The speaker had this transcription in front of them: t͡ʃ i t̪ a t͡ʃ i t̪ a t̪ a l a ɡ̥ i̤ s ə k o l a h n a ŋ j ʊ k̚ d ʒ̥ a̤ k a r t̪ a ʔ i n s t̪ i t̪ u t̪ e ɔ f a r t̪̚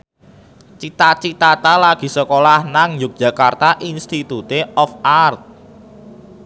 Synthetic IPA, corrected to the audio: t͡ʃ i t̪ a t͡ʃ i t̪ a t̪ a l a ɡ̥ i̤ s ə k o l a h n a ŋ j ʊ k̚ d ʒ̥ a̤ k a r t̪ a ʔ i n s t̪ i t̪ u t̪ e ɔ f a r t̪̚